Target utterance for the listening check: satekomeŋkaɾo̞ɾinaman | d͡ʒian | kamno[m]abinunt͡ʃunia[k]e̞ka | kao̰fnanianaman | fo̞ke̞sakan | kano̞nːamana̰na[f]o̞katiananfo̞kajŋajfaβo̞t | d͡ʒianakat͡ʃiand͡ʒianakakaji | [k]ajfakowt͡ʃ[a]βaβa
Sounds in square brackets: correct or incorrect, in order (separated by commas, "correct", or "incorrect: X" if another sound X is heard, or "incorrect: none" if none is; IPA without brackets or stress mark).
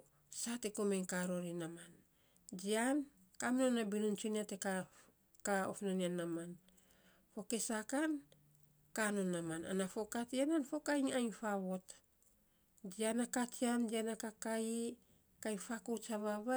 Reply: incorrect: n, incorrect: t, correct, correct, correct